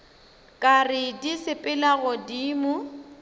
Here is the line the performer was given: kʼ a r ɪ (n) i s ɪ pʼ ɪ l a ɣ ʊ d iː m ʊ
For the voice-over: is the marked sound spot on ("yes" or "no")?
no